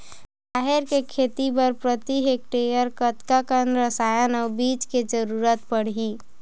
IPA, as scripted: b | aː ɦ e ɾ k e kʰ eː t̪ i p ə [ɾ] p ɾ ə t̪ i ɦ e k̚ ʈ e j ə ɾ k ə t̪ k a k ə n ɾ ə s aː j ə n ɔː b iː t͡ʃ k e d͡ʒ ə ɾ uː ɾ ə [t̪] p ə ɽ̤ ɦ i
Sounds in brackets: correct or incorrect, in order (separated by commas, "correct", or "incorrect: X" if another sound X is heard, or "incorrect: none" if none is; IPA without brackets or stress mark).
correct, correct